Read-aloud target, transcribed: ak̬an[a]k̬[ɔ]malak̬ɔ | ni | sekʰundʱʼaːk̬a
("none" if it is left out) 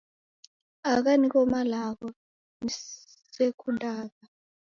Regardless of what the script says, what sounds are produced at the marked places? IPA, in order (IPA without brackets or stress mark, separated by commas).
i, ɔ